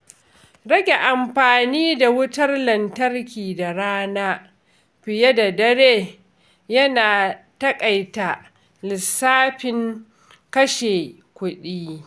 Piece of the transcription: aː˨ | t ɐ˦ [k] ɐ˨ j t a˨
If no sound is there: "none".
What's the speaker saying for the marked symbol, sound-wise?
kʼ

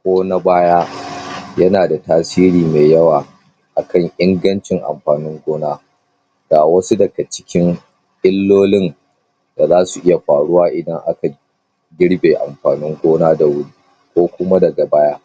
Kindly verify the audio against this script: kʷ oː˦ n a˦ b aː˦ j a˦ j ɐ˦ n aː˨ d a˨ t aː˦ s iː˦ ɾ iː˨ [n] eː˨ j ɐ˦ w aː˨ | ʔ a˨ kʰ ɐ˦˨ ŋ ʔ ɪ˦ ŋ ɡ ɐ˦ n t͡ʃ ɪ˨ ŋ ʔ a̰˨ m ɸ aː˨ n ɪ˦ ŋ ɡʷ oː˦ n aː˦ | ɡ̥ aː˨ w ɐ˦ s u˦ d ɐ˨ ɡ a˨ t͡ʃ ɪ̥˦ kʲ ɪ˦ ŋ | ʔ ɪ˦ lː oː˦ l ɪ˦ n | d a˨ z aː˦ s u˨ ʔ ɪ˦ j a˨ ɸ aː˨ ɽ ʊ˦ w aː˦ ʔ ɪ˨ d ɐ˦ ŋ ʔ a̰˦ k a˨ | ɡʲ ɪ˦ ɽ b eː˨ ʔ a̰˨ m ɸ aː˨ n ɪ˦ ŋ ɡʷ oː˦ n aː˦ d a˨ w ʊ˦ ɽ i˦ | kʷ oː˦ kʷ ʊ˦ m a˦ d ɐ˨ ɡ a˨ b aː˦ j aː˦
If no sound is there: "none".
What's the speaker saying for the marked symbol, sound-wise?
m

